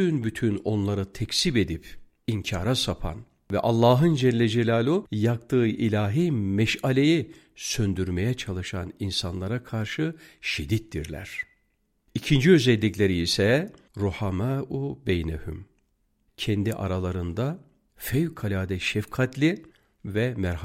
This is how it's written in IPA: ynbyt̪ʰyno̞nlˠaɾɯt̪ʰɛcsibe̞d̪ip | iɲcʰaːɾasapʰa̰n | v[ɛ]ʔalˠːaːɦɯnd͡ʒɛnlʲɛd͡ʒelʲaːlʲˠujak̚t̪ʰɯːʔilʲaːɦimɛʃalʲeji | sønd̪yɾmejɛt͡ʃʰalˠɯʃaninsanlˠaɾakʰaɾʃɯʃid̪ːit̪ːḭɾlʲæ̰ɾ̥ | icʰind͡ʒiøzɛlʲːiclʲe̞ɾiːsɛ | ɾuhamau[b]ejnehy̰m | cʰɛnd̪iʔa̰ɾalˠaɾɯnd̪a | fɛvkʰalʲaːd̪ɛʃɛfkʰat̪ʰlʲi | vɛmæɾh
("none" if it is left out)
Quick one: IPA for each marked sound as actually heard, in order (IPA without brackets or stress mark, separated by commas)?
ɛ, b